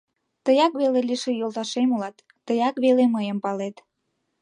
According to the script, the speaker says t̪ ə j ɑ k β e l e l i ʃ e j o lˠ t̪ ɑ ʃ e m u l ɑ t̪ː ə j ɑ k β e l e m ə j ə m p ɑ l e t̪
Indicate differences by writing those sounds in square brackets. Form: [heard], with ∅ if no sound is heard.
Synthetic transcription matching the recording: t̪ ə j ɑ k β e l e l i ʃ e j o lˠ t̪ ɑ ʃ e m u l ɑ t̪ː ə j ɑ k β e l e m ə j ə m p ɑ l e t̪

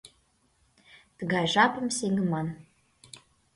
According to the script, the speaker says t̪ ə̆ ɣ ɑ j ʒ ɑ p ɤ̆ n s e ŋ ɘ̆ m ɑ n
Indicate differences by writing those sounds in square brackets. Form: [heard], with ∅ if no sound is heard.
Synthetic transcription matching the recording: t̪ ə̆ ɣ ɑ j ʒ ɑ p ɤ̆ [m] s e ŋ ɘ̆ m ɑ n

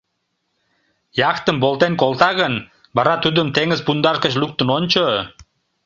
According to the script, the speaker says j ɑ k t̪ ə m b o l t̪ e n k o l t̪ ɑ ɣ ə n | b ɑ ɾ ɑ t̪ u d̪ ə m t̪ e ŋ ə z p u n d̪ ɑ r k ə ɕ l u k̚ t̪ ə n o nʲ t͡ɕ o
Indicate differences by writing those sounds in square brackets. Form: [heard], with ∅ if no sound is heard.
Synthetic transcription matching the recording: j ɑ k t̪ ə m b o l t̪ e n k o l t̪ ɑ ɣ ə n | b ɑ ɾ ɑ t̪ u d̪ ə m t̪ e ŋ ə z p u n d̪ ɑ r k ə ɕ l u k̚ t̪ ə n o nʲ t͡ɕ o

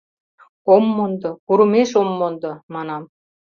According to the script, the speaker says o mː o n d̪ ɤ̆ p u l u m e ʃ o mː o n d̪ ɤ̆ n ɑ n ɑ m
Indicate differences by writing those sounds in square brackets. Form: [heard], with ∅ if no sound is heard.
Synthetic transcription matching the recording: o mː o n d̪ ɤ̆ [k] u [ɾ] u m e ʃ o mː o n d̪ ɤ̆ [m] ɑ n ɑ m

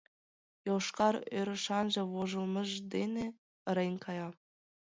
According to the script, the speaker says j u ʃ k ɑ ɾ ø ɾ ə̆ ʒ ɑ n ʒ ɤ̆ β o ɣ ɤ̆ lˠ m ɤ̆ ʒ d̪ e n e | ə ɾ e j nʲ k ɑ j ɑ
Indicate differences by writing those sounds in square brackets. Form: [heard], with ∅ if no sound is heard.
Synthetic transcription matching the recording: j [o] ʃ k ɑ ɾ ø ɾ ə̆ [ʃ] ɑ n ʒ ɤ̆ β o [ʒ] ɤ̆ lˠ m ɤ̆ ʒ d̪ e n e | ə ɾ e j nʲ k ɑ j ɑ

